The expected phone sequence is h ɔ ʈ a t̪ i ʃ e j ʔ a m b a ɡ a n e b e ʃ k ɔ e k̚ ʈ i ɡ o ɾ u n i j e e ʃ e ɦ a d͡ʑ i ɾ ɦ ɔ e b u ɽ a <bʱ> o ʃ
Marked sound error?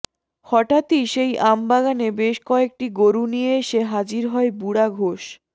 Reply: yes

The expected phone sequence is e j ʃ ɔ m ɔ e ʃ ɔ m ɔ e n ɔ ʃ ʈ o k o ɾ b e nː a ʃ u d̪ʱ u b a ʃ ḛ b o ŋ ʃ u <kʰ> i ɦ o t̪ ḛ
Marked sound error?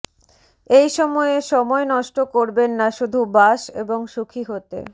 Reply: no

